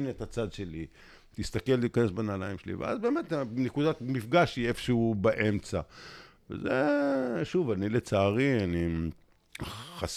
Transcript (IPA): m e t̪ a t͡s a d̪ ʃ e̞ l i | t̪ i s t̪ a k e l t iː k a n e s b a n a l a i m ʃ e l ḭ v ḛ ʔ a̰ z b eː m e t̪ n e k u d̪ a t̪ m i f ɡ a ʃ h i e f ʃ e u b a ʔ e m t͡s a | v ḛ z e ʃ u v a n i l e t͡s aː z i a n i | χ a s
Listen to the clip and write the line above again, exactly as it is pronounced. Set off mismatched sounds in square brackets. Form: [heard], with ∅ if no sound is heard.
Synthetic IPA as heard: [n] e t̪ a t͡s a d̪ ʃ e̞ l i | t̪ i s t̪ a k e l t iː k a n e s b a n a l a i m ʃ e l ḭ v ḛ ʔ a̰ z b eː m e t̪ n e k u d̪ a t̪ m i f ɡ a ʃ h i e f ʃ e u b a ʔ e m t͡s a | v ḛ z e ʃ u v a n i l e t͡s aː [ʁ] i a n i | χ a s